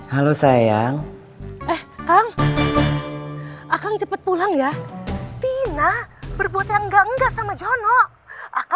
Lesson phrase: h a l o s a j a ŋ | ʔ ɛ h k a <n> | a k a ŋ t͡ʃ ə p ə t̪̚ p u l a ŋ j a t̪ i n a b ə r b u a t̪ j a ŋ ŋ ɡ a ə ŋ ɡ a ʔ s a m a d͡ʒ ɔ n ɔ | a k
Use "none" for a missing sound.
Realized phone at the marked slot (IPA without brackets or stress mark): ŋ